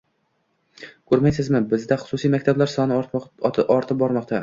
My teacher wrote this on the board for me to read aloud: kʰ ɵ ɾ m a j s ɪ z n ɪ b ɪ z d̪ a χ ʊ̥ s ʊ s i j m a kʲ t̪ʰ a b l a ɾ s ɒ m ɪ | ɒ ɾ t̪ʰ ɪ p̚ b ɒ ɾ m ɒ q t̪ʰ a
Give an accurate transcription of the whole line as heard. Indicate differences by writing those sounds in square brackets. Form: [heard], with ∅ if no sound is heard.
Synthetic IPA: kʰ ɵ ɾ m a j s ɪ z [m] ɪ b ɪ z d̪ a χ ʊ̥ s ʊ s i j m a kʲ t̪ʰ a b l a ɾ s ɒ [n] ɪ | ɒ ɾ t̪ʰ ɪ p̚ b ɒ ɾ m ɒ q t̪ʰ a